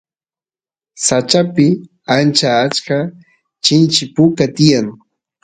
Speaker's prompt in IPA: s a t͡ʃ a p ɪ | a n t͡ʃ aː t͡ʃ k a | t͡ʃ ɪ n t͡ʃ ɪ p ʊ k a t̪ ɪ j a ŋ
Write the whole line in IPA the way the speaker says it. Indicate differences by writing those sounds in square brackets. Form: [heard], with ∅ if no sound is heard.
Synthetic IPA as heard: s a t͡ʃ a p ɪ | a n t͡ʃ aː t͡ʃ k a | t͡ʃ ɪ n t͡ʃ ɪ p ʊ k a t̪ ɪ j a ŋ